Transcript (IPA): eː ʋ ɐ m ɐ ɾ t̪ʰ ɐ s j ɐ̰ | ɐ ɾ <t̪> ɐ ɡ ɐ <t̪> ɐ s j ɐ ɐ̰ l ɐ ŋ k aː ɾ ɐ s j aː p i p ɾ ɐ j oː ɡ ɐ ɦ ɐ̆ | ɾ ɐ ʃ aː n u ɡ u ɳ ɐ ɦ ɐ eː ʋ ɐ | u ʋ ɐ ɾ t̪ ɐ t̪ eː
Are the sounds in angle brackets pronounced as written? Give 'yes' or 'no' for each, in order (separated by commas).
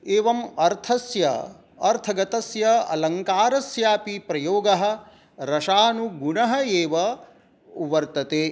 no, yes